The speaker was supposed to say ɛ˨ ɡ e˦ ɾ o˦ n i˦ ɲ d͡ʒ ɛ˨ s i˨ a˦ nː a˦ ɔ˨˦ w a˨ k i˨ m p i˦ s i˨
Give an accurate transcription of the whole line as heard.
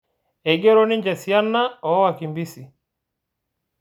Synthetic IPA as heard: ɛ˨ ɡ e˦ ɾ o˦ n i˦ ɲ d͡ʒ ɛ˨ s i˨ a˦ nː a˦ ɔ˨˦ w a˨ k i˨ m b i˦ s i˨